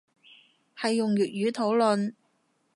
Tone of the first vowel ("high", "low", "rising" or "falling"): low